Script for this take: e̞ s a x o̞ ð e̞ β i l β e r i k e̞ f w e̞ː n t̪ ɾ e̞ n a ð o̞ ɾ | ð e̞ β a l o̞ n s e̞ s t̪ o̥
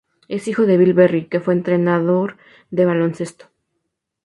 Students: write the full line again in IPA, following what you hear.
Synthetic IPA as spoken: e̞ s i x o̞ ð e̞ β i l β e r i k e̞ f w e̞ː n t̪ ɾ e̞ n a ð o̞ ɾ | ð e̞ β a l o̞ n s e̞ s t̪ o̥